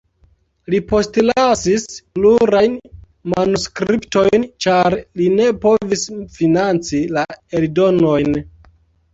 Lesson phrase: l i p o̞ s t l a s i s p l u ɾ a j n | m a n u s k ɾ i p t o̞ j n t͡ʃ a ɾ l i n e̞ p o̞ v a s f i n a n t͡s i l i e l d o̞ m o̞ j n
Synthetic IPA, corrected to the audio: l i p o̞ s t l a s i s p l u ɾ a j n | m a n u s k ɾ i p t o̞ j n t͡ʃ a ɾ l i n e̞ p o̞ v i s f i n a n t͡s i l a e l d o̞ n o̞ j n